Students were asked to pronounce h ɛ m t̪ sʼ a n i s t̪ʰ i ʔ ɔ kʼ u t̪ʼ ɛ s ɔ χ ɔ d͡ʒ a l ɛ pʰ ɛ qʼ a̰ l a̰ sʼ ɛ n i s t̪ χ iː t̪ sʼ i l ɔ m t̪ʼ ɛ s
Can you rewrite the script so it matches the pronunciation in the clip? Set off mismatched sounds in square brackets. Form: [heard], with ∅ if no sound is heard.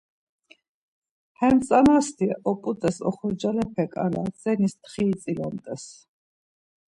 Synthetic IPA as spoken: h ɛ m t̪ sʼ a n [a] s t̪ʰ i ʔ ɔ [pʼ] u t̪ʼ ɛ s ɔ χ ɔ d͡ʒ a l ɛ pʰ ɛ [kʼ] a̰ l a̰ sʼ ɛ n i s t̪ χ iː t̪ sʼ i l ɔ m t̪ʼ ɛ s